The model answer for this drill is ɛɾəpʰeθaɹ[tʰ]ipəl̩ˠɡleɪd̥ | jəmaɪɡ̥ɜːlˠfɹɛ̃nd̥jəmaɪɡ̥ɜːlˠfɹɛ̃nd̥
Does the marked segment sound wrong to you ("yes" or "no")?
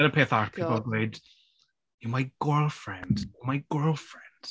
yes